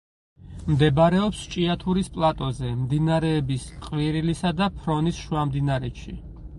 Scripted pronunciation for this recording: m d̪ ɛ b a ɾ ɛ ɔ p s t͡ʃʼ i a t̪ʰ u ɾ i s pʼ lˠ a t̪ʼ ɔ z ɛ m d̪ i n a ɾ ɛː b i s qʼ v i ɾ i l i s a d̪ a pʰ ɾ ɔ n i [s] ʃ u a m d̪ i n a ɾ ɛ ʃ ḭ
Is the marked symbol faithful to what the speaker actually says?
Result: yes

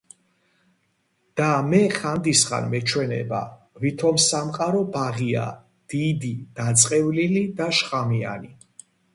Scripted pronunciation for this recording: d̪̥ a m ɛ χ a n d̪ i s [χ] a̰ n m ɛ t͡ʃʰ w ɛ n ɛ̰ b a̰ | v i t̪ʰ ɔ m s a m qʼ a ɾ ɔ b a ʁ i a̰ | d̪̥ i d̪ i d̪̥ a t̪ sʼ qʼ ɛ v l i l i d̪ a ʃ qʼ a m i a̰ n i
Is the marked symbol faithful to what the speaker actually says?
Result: yes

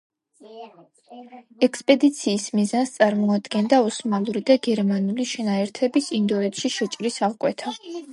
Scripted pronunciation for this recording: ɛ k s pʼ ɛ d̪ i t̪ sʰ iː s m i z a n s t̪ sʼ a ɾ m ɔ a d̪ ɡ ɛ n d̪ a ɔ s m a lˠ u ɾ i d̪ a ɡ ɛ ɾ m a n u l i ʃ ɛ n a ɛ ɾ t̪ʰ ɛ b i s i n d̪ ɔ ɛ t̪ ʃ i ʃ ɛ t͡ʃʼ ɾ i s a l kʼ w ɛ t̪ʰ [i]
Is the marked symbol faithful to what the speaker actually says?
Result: no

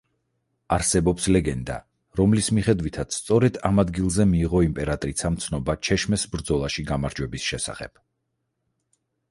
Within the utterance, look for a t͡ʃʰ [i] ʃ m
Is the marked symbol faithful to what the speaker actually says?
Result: no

